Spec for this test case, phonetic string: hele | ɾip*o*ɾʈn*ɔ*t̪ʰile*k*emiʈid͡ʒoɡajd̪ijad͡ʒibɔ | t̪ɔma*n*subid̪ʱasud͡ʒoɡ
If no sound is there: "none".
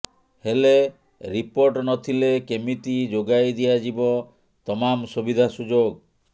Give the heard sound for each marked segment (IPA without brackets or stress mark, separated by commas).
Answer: o, ɔ, k, m